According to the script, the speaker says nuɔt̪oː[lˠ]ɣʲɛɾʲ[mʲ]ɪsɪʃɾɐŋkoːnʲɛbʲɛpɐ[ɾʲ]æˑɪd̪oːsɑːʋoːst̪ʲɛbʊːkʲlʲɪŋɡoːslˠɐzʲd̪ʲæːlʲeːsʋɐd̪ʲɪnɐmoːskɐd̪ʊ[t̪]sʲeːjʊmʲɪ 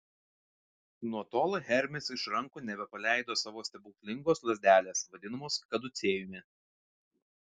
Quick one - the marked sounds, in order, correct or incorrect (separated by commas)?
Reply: correct, correct, incorrect, correct